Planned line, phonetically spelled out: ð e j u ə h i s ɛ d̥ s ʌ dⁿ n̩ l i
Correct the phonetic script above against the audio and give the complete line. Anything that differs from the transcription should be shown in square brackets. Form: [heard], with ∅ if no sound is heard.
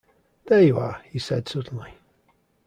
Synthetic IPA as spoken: ð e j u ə h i s ɛ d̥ s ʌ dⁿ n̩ l i